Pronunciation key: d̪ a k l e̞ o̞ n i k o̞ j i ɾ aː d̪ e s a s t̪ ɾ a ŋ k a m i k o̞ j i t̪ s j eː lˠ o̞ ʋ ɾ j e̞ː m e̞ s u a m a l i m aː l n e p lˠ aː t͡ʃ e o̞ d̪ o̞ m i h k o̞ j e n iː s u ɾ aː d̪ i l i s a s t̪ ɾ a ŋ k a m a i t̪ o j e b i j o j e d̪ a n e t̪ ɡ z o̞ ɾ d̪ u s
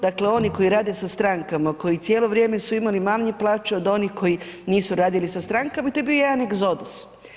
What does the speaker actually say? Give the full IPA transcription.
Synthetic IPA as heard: d̪ a k l e̞ o̞ n i k o̞ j i ɾ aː d̪ e s a s t̪ ɾ a ŋ k a m a k o̞ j i t̪ s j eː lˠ o̞ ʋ ɾ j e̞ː m e̞ s u i m a l i m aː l ɲ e p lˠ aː t͡ʃ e o̞ d̪ o̞ n i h k o̞ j i n iː s u ɾ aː d̪ i l i s a s t̪ ɾ a ŋ k a m a i t̪ o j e b i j o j e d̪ a n e ɡ z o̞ d̪ u s